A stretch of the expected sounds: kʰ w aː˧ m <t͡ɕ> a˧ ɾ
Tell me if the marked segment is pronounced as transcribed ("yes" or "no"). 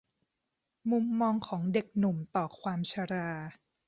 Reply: no